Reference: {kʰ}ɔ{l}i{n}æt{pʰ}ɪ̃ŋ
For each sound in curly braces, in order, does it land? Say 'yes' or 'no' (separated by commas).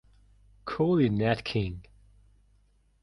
yes, yes, yes, no